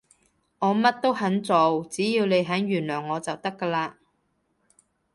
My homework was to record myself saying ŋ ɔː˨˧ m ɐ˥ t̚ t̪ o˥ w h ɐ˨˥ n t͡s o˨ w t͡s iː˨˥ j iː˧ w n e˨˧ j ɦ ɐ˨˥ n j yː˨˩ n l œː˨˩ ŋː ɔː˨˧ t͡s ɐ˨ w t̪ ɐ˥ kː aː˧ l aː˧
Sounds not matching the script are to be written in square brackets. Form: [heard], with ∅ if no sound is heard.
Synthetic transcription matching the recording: ŋ ɔː˨˧ m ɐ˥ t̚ t̪ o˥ w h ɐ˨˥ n t͡s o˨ w t͡s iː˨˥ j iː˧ w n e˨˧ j ɦ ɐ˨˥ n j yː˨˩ n l œː˨˩ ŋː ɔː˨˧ t͡s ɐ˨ w t̪ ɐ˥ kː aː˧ l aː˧